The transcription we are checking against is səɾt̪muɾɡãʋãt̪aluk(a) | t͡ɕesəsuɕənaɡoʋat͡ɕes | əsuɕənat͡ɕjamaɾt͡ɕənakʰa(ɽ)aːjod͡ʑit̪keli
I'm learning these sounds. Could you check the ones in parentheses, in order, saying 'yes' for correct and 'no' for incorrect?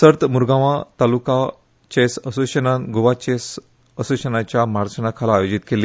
yes, no

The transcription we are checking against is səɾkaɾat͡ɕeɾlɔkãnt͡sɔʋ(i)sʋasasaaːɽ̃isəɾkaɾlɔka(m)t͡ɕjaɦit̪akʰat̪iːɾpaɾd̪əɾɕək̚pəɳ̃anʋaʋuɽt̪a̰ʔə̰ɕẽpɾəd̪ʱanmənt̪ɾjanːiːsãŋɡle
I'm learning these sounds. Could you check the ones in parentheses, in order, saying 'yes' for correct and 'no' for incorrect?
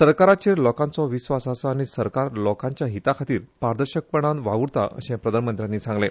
yes, no

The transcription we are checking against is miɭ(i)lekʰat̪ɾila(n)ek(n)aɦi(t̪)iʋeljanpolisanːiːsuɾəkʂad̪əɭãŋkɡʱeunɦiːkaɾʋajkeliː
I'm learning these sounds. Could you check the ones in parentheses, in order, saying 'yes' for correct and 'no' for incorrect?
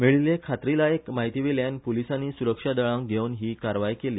yes, no, no, yes

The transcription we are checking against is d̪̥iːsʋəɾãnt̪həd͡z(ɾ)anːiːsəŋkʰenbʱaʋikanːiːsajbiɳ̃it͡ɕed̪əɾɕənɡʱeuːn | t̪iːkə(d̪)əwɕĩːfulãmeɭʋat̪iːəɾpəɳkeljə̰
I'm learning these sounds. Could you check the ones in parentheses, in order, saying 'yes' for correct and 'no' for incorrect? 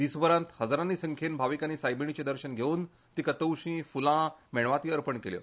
yes, no

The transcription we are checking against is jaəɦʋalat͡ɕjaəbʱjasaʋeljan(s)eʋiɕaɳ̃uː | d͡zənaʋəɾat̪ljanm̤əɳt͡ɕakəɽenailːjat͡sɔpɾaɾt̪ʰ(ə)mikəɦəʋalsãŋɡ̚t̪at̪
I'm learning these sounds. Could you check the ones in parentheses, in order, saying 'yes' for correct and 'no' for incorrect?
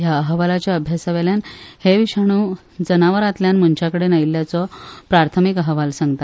no, yes

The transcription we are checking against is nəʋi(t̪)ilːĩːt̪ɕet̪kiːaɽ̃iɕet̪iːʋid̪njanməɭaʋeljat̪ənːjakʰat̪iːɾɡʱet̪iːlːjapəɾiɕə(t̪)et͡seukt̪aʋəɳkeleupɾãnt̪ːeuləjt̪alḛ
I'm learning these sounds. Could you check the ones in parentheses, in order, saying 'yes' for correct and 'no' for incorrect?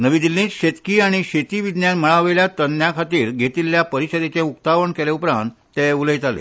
no, no

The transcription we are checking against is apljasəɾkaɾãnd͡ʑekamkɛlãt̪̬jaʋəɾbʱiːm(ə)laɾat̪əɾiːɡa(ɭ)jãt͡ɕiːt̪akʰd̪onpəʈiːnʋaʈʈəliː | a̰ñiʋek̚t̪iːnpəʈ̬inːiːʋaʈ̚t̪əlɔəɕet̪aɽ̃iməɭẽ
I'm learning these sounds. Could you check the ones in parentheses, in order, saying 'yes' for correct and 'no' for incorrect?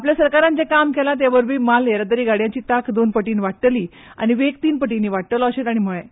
no, no

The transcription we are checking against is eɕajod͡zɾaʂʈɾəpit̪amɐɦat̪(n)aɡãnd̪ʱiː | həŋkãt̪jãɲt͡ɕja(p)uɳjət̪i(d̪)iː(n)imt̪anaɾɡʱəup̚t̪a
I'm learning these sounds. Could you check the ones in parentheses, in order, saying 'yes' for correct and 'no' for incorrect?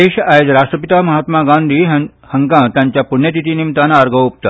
no, yes, no, yes

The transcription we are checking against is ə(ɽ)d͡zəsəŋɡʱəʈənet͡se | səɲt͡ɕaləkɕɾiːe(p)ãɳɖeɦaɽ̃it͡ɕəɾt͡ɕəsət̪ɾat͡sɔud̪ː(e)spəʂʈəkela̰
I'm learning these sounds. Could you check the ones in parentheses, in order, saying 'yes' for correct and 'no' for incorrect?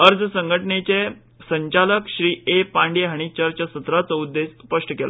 no, yes, yes

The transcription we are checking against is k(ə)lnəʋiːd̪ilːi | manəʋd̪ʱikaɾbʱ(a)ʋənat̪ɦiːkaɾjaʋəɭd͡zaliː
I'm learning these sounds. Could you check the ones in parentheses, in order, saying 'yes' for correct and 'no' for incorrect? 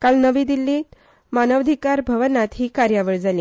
no, no

